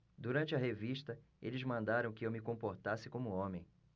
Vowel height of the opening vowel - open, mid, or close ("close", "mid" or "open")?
close